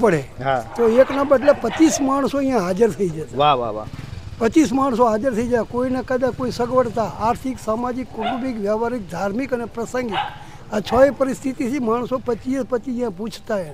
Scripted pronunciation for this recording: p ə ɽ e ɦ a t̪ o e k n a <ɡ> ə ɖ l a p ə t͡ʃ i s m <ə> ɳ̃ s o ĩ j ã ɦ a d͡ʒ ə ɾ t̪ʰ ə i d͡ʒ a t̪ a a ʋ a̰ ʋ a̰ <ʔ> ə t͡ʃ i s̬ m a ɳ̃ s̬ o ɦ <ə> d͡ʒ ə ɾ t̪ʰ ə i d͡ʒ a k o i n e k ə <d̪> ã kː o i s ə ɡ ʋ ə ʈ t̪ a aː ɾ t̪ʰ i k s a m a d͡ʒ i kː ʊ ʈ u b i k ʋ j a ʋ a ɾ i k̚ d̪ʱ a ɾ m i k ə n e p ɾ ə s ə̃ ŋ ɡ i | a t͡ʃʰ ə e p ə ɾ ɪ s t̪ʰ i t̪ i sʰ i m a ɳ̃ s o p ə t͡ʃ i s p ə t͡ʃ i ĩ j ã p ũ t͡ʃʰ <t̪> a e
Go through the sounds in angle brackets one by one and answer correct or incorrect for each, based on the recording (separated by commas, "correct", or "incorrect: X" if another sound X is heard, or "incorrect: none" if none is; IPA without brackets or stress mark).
incorrect: b, incorrect: a, incorrect: p, incorrect: a, correct, correct